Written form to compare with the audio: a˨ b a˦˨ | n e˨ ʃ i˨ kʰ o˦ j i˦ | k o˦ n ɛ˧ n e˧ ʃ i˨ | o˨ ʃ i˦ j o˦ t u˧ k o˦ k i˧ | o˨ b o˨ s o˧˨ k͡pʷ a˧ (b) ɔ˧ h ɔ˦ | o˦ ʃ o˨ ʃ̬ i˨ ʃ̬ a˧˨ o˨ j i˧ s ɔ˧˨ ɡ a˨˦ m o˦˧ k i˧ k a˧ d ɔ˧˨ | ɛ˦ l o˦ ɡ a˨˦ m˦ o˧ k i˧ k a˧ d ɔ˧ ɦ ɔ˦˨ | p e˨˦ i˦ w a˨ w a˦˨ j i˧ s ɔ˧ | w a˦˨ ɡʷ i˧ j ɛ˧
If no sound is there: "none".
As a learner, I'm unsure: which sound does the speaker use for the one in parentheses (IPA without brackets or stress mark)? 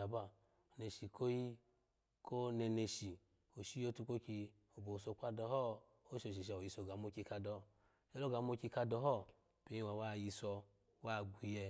d